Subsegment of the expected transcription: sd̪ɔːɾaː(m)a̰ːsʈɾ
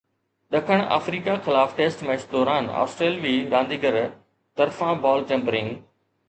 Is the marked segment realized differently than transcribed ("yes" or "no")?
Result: yes